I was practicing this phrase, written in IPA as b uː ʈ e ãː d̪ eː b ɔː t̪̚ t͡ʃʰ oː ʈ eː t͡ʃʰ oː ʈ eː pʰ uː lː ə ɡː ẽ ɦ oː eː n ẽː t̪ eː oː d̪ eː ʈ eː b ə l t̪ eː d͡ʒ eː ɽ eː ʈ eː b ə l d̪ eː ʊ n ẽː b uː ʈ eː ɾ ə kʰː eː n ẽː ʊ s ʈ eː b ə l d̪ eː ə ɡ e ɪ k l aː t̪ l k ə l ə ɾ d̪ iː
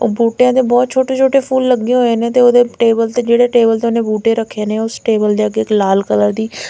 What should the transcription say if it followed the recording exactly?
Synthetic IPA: b uː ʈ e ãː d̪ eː b ɔː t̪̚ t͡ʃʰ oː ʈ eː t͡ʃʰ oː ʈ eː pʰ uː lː ə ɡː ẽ ɦ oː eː n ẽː t̪ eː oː d̪ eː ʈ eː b ə l t̪ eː d͡ʒ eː ɽ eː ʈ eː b ə l t̪ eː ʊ n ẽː b uː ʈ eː ɾ ə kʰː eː n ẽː ʊ s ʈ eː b ə l d̪ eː ə ɡ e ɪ k l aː l k ə l ə ɾ d̪ iː

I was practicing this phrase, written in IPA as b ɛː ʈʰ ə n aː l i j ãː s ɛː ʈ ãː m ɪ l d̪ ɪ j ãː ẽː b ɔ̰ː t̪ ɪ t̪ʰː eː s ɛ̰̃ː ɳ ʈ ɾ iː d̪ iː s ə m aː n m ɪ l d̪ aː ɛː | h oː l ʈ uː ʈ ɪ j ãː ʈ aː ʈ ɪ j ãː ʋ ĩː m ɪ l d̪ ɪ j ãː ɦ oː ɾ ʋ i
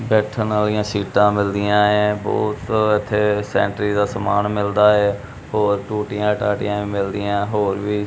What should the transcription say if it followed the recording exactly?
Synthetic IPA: b ɛː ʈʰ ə n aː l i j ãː s iː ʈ ãː m ɪ l d̪ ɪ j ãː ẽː b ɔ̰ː t̪ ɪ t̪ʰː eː s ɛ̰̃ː ɳ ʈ ɾ iː d̪ aː s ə m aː n m ɪ l d̪ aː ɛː | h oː ɾ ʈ uː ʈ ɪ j ãː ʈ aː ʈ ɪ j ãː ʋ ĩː m ɪ l d̪ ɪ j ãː ɦ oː ɾ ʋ iː

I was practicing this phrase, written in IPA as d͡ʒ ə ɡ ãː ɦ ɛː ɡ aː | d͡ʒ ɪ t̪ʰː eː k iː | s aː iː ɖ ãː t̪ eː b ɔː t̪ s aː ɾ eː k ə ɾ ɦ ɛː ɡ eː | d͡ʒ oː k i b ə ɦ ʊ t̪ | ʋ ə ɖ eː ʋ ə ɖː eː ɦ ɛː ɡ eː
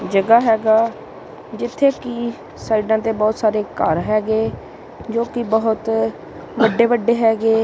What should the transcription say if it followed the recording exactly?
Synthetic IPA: d͡ʒ ə ɡ aː ɦ ɛː ɡ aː | d͡ʒ ɪ t̪ʰː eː k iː | s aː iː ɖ ãː t̪ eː b ɔː t̪ s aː ɾ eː k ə ɾ ɦ ɛː ɡ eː | d͡ʒ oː k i b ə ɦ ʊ t̪ | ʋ ə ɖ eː ʋ ə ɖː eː ɦ ɛː ɡ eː

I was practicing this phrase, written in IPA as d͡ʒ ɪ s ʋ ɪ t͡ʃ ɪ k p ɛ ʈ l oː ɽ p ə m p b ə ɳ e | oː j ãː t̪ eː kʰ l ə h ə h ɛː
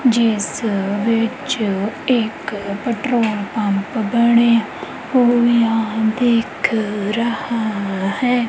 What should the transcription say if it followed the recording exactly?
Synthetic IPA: d͡ʒ ɪ s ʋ ɪ t͡ʃ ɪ k p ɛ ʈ ɾ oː l p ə m p b ə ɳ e | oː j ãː d̪ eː kʰ ɾ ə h a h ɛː

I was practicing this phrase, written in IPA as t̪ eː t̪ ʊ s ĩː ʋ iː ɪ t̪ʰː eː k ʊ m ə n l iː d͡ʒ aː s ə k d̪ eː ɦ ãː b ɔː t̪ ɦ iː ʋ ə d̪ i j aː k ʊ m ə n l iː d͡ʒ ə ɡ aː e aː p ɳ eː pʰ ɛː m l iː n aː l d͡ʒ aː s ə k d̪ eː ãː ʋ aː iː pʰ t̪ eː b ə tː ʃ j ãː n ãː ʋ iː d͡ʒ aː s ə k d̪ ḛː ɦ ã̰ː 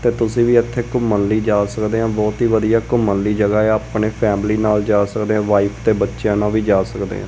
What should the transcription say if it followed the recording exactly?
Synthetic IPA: t̪ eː t̪ ʊ s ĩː ʋ iː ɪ t̪ʰː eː k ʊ m ə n l iː d͡ʒ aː s ə k d̪ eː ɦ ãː b ɔː t̪ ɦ iː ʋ ə d̪ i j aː k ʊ m ə n l iː d͡ʒ ə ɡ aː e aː p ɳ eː pʰ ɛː m l iː n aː l d͡ʒ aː s ə k d̪ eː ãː ʋ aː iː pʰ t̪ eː b ə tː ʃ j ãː n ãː ʋ iː d͡ʒ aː s ə k d̪ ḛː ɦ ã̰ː

